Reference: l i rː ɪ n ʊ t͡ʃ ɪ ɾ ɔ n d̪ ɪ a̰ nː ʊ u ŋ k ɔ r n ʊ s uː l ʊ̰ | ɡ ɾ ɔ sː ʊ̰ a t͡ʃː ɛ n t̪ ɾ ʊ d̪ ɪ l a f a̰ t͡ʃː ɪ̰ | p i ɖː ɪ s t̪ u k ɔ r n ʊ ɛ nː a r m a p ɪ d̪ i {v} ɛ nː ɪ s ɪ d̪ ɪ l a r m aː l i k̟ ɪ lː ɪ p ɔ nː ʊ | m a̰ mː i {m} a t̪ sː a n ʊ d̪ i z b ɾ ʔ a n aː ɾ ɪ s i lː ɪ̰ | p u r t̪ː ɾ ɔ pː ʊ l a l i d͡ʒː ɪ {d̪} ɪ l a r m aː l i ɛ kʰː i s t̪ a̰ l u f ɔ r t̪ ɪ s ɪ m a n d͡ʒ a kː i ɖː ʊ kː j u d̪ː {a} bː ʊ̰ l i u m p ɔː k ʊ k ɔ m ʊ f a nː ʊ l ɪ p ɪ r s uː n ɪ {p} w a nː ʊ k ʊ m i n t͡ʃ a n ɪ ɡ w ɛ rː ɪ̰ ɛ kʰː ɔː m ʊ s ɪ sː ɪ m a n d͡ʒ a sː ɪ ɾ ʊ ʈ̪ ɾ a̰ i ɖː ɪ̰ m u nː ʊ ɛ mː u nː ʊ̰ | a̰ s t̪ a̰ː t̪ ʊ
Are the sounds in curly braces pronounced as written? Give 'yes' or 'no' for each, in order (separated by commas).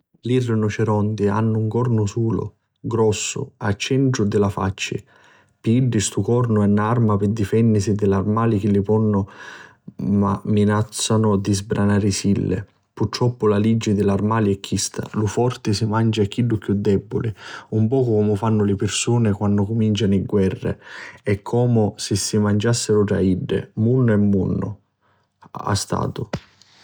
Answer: no, no, yes, no, no